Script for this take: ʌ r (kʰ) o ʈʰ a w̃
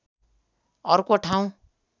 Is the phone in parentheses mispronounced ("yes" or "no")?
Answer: yes